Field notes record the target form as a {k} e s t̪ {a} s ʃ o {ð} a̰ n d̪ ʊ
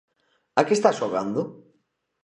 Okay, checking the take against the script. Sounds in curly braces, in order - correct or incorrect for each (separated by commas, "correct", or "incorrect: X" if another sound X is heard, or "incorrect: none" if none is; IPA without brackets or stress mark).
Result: correct, correct, incorrect: ɣ